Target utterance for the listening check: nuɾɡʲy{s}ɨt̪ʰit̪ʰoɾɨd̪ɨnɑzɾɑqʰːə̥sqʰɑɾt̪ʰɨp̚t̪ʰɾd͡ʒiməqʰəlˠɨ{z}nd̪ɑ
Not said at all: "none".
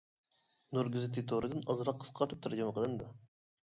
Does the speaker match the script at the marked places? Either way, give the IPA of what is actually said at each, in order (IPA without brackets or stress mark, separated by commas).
z, none